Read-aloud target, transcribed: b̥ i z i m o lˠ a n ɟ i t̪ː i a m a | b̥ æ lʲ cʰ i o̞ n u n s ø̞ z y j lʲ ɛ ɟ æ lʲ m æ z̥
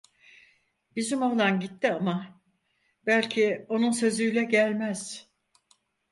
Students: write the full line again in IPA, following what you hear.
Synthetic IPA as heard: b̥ i z i m o lˠ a n ɟ i t̪ː i a m a | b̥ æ lʲ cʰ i o̞ n u n s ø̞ z y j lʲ ɛ ɟ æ lʲ m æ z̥